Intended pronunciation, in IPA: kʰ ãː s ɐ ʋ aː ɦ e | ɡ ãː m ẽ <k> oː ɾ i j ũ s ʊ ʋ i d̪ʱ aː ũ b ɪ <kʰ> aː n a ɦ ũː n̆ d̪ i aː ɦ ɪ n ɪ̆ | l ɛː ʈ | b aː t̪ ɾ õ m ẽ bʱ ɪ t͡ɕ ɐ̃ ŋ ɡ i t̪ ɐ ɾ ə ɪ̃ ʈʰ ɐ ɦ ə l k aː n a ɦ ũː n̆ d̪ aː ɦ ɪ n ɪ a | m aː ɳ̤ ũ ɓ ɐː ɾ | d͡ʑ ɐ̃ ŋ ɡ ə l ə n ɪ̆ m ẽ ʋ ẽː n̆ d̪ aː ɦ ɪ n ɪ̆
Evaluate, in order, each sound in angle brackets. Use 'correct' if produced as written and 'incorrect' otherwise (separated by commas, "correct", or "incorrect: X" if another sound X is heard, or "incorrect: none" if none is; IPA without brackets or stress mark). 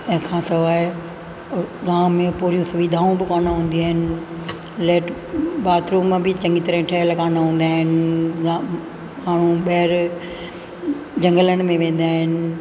incorrect: p, incorrect: k